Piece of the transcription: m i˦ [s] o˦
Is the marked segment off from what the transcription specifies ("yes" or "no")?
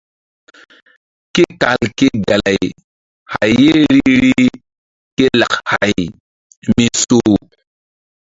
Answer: no